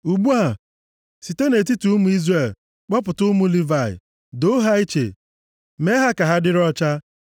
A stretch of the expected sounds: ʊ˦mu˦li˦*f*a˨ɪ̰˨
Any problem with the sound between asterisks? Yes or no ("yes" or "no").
yes